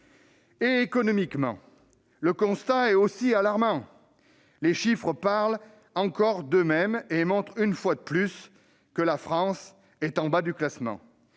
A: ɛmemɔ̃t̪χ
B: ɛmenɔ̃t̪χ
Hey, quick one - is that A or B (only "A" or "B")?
A